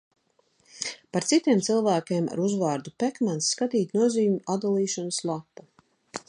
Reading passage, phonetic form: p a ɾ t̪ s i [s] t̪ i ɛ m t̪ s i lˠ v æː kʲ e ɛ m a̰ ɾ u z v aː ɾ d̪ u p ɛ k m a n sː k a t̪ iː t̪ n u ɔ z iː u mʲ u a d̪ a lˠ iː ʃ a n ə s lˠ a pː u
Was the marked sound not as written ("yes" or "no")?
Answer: yes